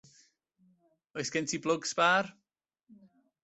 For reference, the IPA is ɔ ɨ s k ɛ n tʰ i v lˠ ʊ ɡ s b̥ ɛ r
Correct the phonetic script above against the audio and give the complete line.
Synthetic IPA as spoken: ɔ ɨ s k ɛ n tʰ i b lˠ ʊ ɡ s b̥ a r